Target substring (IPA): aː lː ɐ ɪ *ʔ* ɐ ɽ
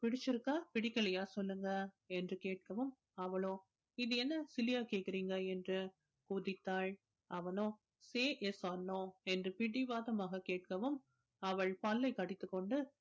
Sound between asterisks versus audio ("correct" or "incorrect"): incorrect